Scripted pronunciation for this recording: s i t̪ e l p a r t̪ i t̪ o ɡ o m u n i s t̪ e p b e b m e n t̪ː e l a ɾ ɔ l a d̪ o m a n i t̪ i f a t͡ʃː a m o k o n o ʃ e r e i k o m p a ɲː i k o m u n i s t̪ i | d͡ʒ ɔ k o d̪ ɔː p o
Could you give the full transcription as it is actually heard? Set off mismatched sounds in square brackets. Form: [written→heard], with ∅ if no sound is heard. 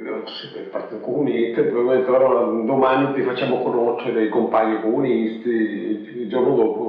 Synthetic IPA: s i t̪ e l p a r t̪ i t̪ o [ɡ→k] o m u n i s t̪ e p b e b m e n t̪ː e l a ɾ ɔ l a d̪ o m a n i t̪ i f a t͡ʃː a m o k o n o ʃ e [r→ɾ] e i k o m p a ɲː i k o m u n i s t̪ i | d͡ʒ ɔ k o d̪ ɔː p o

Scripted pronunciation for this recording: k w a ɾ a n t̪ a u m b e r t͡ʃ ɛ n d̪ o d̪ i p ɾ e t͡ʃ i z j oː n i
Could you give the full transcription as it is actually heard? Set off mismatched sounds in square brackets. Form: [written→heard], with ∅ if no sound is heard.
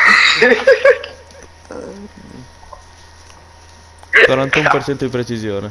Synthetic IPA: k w a ɾ a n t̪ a u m [b→p] e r t͡ʃ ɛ n [d̪→t̪] o d̪ i p ɾ e t͡ʃ i z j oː n [i→e]

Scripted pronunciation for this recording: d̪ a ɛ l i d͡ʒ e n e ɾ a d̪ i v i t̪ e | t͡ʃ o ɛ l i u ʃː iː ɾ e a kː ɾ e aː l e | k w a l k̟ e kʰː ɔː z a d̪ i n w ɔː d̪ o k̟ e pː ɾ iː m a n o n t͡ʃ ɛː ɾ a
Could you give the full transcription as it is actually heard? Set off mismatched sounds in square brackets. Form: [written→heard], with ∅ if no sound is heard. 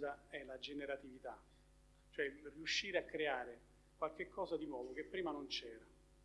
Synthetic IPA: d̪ a ɛ l [i→a] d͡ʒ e n e ɾ a [d̪→t̪] i v i t̪ [e→a] | t͡ʃ o ɛ [l→r] i u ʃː iː ɾ e a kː ɾ e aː [l→ɾ] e | k w a l k̟ e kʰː ɔː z a d̪ i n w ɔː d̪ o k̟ e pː ɾ iː m a n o n t͡ʃ ɛː ɾ a

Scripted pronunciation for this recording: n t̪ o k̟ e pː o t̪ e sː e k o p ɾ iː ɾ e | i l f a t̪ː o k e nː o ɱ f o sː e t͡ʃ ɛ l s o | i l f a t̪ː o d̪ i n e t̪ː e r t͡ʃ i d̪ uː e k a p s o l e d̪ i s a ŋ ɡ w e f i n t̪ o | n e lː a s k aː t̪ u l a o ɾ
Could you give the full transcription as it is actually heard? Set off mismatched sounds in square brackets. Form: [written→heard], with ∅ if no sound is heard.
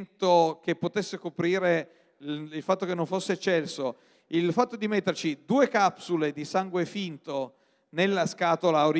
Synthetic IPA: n t̪ o k̟ e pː o t̪ e sː e k o p ɾ iː ɾ e | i l f a t̪ː o k e nː o ɱ f o sː e t͡ʃ ɛ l s o | i l f a t̪ː o d̪ i [n→m] e t̪ː e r t͡ʃ i d̪ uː e k a p s [o→u] l e d̪ i s a ŋ ɡ w e f i n t̪ o | n e lː a s k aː t̪ [u→o] l a o ɾ

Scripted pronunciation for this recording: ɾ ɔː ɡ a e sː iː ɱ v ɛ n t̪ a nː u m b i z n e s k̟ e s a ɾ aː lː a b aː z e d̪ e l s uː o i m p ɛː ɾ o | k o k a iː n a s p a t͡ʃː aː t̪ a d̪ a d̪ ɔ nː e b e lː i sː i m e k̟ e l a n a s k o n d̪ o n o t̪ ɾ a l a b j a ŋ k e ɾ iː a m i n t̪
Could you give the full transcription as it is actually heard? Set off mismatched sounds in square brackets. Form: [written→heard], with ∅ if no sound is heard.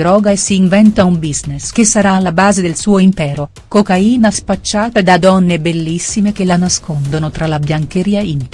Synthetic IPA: ɾ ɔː ɡ a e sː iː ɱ v ɛ n t̪ a [nː→∅] u m b i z n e s k̟ e s a ɾ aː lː a b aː z e d̪ e l s uː o i m p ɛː ɾ o | k o k a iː n a s p a t͡ʃː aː t̪ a d̪ a d̪ ɔ nː e b e lː i sː i m e k̟ e l a n a s k o n d̪ o n o t̪ ɾ a l a b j a ŋ k e ɾ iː a [m→∅] i n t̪

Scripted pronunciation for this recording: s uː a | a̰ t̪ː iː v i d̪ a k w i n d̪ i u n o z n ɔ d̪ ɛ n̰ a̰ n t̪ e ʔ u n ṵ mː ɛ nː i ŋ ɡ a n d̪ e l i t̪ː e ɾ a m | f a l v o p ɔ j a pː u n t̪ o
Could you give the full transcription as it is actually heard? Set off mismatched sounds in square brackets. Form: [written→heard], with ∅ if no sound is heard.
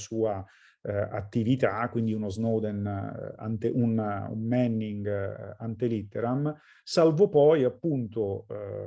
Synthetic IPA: s uː a | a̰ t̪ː [iː→i] v i [d̪→t̪] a k w i n d̪ i u n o z n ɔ d̪ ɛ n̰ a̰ n t̪ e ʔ u n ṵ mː ɛ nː i ŋ ɡ a n [d̪→t̪] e l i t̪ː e ɾ a m | [f→s] a l v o p ɔ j a pː u n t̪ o

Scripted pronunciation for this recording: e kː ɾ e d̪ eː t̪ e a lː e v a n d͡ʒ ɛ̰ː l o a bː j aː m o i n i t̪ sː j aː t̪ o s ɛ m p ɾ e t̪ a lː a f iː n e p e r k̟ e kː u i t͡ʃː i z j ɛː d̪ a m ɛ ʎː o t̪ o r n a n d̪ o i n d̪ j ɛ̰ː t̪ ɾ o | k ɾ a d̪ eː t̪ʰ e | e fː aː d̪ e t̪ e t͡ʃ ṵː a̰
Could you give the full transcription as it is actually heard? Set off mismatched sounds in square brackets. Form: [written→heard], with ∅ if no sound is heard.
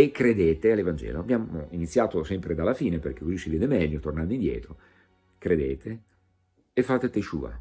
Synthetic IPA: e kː ɾ e d̪ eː t̪ e a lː e v a n d͡ʒ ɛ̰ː l o a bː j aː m o i n i t̪ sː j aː t̪ o s ɛ m p ɾ e [t̪→d̪] a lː a f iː n e p e r k̟ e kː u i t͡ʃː i [z→v] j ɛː d̪ [a→e] m ɛ ʎː o t̪ o r n a n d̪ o i n d̪ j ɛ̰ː t̪ ɾ o | k ɾ [a→e] d̪ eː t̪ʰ e | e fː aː [d̪→t̪] e t̪ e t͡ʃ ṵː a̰

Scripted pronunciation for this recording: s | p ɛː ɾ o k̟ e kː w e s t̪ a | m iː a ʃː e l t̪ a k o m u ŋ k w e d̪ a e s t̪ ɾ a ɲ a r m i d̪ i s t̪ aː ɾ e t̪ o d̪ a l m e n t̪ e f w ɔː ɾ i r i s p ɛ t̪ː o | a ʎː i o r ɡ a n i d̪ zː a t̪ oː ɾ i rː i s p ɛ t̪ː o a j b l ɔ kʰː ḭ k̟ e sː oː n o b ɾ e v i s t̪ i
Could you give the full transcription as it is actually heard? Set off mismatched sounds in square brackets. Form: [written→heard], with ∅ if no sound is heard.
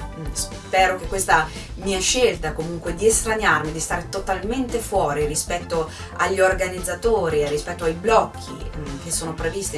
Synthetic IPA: s | p ɛː ɾ o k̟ e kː w e s t̪ a | m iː a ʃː e l t̪ a k o m u ŋ k w e d̪ [a→i] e s t̪ ɾ a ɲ a r m i d̪ i s t̪ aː ɾ e t̪ o [d̪→t̪] a l m e n t̪ e f w ɔː ɾ i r i s p ɛ t̪ː o | a ʎː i o r ɡ a n i d̪ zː a t̪ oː ɾ i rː i s p ɛ t̪ː o a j b l ɔ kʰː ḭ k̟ e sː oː n o [b→p] ɾ e v i s t̪ i

